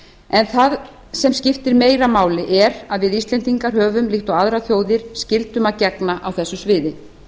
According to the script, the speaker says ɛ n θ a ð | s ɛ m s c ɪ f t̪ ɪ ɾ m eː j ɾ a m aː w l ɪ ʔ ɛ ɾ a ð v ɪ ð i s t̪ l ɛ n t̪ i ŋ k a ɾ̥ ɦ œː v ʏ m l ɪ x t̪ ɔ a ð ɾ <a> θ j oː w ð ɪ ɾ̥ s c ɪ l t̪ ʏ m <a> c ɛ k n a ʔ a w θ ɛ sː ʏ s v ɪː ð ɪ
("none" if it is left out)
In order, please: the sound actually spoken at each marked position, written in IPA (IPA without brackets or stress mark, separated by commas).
a, a